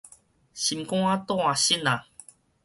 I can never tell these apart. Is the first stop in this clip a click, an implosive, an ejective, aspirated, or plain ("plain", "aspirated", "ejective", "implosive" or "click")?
plain